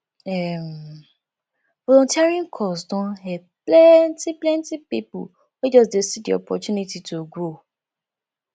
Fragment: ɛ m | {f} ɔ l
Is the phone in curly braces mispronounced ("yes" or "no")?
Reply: yes